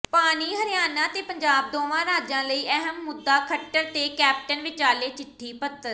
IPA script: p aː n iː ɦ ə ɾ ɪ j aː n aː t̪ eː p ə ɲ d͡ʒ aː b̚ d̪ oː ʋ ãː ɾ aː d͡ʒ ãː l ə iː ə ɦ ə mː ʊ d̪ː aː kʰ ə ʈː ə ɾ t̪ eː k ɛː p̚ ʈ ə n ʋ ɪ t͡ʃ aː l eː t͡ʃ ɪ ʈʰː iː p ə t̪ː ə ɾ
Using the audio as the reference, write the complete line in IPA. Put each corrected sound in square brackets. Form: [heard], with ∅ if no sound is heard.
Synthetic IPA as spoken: p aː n iː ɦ ə ɾ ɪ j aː n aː t̪ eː p ə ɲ d͡ʒ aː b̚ d̪ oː ʋ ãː ɾ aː d͡ʒ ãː l ə iː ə ɦ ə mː ʊ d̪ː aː kʰ ə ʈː ə ɾ t̪ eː k ɛː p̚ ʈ ə n ʋ ɪ t͡ʃ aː l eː t͡ʃ ɪ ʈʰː iː p ə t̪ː ə ɾ